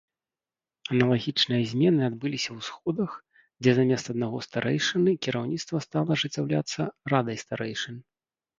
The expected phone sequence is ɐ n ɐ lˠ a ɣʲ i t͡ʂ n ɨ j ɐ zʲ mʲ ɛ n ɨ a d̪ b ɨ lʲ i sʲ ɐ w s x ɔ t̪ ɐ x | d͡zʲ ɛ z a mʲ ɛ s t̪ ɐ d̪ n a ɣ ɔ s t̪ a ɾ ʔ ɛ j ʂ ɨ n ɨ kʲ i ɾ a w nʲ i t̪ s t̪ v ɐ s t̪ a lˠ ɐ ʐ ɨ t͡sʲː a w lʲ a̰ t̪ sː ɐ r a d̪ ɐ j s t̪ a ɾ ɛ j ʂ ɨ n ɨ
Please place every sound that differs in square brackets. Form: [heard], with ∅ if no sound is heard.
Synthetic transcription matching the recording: ɐ n ɐ lˠ a ɣʲ i t͡ʂ n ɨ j ɐ zʲ mʲ ɛ n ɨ a d̪ b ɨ lʲ i sʲ ɐ w s x ɔ [d̪] ɐ x | d͡zʲ ɛ z a mʲ ɛ s t̪ ɐ d̪ n a ɣ ɔ s t̪ a ɾ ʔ ɛ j ʂ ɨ n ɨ kʲ i ɾ a w nʲ i t̪ s t̪ v ɐ s t̪ a lˠ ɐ ʐ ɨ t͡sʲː a w lʲ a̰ t̪ sː ɐ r a d̪ ɐ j s t̪ a ɾ ɛ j ʂ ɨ n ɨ